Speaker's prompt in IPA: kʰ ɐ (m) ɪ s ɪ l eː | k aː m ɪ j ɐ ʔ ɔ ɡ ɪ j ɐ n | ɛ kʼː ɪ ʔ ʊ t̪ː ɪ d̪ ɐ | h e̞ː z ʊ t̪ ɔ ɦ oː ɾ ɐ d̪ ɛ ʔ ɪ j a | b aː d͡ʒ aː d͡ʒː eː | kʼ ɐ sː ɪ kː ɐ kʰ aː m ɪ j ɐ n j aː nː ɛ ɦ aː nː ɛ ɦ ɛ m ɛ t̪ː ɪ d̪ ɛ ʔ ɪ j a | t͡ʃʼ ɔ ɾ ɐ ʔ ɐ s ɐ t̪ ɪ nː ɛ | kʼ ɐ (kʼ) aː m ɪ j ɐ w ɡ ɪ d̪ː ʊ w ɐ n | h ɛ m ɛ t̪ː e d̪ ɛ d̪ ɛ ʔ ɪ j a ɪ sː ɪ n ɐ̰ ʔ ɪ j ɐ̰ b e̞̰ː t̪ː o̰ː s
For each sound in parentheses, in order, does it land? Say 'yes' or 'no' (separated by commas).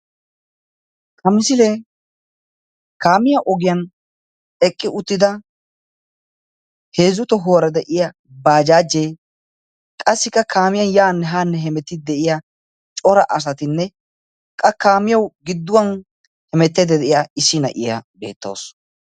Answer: yes, no